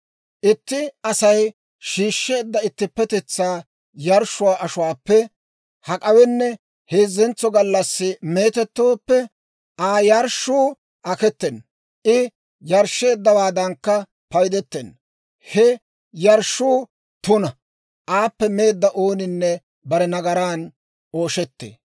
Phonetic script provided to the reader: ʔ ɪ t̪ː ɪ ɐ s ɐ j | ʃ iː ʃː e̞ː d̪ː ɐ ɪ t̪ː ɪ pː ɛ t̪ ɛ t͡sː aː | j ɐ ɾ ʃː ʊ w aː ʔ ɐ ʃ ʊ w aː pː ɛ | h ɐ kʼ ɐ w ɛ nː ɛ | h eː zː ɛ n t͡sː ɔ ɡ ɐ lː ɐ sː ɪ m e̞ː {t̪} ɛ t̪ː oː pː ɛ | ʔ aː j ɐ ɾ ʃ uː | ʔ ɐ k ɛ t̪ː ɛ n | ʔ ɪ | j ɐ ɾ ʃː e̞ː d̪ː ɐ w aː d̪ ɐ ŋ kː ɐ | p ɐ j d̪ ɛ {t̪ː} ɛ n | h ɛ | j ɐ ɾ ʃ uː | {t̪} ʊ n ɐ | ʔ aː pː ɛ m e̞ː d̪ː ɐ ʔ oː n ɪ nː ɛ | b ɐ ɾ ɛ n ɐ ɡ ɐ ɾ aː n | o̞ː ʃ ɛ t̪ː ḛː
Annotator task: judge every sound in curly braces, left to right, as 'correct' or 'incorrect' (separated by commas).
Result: correct, correct, correct